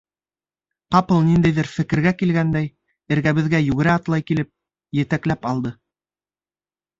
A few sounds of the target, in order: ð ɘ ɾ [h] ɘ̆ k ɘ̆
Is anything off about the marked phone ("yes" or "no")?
yes